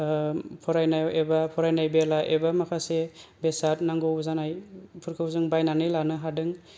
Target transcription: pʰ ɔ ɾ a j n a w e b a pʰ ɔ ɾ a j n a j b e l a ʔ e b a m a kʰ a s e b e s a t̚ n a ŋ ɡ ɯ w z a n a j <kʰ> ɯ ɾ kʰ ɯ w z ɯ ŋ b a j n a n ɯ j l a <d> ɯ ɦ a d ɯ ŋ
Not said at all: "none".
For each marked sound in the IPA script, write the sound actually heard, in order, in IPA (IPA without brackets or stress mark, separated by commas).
pʰ, n